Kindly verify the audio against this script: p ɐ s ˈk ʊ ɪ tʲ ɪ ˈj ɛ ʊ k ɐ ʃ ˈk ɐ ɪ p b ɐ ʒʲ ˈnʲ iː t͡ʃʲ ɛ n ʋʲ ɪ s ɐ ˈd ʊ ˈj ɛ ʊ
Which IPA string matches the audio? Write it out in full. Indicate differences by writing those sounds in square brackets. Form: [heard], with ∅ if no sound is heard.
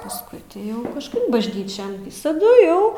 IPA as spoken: p ɐ s ˈk ʊ ɪ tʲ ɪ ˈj ɛ ʊ k ɐ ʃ ˈk ɐ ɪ p b ɐ ʒʲ ˈnʲ iː t͡ʃʲ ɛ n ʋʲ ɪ s ɐ ˈd ʊ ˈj ɛ ʊ